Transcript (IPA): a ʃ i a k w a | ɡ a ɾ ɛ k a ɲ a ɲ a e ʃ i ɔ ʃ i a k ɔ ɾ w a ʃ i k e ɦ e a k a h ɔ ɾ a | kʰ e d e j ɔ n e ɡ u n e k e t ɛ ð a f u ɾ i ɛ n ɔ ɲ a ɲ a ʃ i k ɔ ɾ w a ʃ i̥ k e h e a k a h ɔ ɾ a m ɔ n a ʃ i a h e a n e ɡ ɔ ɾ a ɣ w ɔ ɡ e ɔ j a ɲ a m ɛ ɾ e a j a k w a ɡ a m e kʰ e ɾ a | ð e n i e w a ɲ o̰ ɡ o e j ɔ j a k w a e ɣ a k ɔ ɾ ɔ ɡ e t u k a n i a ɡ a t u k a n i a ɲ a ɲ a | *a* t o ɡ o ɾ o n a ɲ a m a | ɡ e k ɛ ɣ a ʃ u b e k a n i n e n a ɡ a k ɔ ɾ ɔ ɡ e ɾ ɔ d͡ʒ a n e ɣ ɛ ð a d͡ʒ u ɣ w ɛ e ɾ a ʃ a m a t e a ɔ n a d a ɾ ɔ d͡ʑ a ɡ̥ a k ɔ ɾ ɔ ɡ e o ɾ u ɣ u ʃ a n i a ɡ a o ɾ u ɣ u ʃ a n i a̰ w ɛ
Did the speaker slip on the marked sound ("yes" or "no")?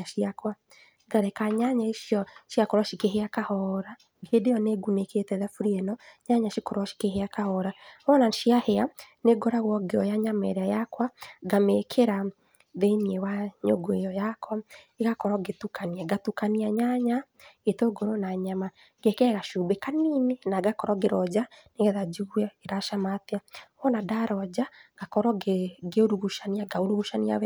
yes